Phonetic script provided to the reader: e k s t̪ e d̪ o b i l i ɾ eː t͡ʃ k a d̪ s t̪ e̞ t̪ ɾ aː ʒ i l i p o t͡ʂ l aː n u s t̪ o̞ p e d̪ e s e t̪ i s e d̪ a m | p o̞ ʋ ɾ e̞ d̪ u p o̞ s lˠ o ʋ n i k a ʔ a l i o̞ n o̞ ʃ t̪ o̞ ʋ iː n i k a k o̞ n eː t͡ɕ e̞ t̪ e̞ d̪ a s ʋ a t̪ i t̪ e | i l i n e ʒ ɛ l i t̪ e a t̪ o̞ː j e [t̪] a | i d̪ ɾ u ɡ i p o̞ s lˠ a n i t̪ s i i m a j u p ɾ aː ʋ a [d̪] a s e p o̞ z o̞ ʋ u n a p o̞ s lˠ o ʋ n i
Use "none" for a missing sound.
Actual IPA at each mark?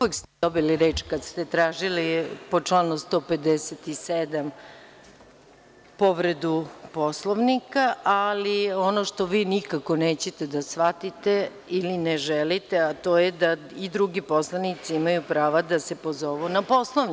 d̪, d̪

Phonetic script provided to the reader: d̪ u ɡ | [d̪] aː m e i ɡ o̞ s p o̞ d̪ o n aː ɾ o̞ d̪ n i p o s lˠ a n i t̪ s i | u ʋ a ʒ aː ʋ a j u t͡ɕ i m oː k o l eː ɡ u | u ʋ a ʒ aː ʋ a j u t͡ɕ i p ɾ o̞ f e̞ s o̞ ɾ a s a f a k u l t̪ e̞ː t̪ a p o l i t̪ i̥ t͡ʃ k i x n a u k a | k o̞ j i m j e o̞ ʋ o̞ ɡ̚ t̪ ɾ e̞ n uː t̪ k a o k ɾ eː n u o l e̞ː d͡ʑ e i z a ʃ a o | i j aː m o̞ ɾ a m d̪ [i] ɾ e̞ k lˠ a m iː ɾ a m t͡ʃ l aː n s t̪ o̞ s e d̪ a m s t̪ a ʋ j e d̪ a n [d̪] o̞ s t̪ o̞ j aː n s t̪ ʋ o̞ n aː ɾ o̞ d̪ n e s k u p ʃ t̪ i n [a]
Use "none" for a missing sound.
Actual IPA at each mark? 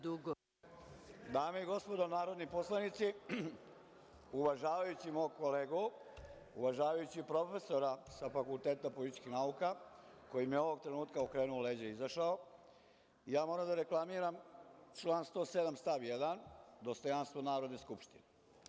d̪, a, d̪, e

